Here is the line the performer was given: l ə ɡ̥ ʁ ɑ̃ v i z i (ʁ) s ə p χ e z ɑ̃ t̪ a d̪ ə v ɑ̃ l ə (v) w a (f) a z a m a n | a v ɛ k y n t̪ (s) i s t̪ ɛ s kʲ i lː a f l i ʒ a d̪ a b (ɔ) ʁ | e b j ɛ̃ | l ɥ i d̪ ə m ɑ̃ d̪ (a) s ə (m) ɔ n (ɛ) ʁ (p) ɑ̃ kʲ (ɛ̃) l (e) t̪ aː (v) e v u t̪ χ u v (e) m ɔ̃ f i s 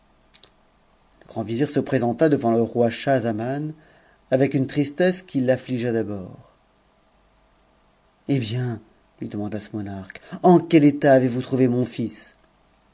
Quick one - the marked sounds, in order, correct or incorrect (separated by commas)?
correct, incorrect, incorrect, incorrect, incorrect, correct, correct, incorrect, incorrect, incorrect, correct, correct, correct